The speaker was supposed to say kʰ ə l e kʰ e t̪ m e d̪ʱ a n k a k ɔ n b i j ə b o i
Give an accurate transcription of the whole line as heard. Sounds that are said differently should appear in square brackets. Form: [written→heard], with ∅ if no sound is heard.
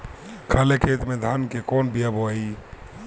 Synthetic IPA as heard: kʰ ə l e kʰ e t̪ m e d̪ʱ a n k [a→e] k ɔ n b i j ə b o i